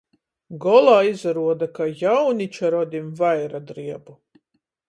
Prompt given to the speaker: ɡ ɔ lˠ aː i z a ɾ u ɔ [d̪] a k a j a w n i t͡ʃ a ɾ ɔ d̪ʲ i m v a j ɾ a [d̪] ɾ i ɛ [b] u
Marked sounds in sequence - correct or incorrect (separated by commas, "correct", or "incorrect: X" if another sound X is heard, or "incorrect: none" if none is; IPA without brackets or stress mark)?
correct, correct, correct